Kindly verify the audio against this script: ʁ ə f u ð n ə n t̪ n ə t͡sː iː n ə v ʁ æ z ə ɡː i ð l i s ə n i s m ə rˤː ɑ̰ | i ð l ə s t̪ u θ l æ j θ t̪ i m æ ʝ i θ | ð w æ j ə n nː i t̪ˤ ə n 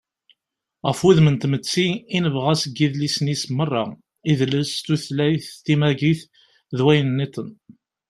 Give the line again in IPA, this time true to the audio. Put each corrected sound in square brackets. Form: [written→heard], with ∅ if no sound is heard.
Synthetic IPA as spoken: ʁ ə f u ð [n→m] ə n t̪ [n→m] ə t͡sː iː n ə v ʁ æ [z→s] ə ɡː i ð l i s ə n i s m ə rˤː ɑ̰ | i ð l ə s t̪ u θ l æ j θ t̪ i m æ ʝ i θ | ð w æ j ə n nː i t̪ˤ ə n